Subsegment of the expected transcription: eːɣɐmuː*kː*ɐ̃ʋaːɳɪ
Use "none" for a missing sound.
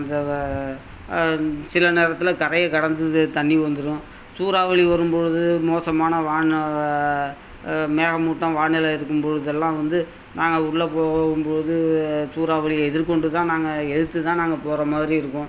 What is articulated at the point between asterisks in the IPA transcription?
ʈː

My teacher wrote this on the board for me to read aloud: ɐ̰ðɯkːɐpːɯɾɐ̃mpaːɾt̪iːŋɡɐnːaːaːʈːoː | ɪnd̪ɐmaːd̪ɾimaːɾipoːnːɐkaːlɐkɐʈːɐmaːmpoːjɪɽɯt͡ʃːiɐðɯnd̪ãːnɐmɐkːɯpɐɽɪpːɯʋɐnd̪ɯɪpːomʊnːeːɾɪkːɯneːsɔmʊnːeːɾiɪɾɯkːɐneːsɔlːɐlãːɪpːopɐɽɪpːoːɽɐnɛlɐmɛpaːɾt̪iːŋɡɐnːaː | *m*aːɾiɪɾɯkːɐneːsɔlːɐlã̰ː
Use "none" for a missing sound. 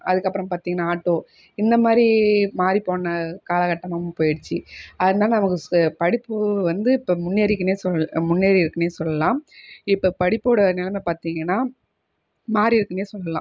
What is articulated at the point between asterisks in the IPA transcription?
m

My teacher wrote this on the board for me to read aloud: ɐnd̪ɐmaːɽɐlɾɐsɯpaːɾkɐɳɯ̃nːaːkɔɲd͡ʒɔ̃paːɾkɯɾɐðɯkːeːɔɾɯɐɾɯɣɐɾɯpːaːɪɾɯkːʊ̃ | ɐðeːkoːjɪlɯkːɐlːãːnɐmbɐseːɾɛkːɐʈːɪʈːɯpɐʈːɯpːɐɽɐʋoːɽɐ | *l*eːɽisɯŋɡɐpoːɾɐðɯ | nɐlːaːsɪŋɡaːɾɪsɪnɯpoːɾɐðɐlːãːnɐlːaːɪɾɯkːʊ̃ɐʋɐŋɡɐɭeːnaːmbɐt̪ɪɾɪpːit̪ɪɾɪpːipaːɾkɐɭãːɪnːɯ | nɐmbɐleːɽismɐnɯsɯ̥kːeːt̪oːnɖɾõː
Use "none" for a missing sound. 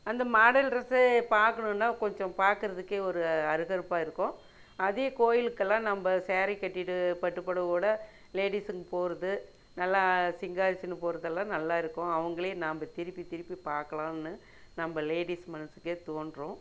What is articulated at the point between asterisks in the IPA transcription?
l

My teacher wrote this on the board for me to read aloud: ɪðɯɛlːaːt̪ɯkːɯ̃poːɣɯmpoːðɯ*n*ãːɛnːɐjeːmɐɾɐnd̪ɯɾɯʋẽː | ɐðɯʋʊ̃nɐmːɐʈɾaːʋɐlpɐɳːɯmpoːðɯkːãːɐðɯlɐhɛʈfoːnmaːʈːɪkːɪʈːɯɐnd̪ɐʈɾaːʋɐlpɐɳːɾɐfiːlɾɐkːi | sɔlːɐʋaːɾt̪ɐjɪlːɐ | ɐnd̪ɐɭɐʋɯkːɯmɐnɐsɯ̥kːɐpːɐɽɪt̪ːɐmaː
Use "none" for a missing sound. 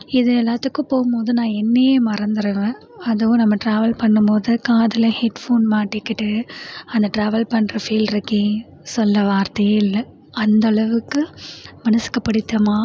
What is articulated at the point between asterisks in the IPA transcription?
n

